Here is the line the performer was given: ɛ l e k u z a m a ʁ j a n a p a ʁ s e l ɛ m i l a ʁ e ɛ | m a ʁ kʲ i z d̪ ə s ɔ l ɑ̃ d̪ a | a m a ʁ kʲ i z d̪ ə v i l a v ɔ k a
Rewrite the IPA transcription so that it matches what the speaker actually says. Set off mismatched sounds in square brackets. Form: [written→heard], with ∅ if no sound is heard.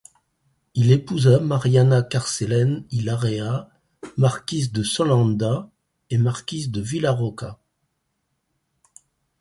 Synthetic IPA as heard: [ɛ→i] l e [k→p] u z a m a ʁ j a n a [p→k] a ʁ s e l ɛ [m→n] i l a ʁ e [ɛ→a] | m a ʁ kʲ i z d̪ ə s ɔ l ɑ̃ d̪ a | [a→e] m a ʁ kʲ i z d̪ ə v i l a [v→ʁ] ɔ k a

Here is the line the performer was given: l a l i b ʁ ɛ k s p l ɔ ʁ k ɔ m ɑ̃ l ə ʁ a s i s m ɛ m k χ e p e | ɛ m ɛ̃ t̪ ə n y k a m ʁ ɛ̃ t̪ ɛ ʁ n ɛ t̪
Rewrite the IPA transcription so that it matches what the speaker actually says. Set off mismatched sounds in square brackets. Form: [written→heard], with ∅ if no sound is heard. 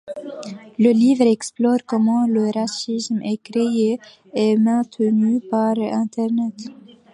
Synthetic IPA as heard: l [a→ə] l i [b→v] ʁ ɛ k s p l ɔ ʁ k ɔ m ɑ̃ l ə ʁ a s i s m ɛ [m→∅] k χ e [p→∅] e | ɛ m ɛ̃ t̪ ə n y [k→p] a [m→∅] ʁ ɛ̃ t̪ ɛ ʁ n ɛ t̪

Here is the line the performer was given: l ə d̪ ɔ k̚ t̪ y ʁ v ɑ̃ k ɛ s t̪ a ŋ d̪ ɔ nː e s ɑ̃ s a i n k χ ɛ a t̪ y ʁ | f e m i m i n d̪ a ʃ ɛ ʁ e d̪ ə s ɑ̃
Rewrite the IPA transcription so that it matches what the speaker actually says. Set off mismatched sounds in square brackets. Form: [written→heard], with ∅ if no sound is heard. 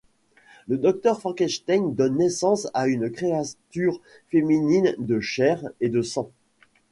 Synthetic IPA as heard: l ə d̪ ɔ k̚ t̪ [y→œ] ʁ [v→f] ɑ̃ k ɛ [s→ʃ] t̪ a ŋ d̪ ɔ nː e s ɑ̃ s a [i→y] n k χ [ɛ→e] a t̪ y ʁ | f e m i [m→n] i n d̪ [a→ə] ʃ ɛ ʁ e d̪ ə s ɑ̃

